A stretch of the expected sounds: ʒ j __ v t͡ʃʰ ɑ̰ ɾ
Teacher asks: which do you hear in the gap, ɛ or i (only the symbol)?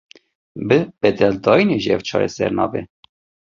ɛ